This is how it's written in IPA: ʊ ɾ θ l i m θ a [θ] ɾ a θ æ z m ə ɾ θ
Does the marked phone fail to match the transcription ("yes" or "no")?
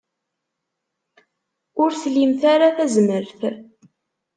yes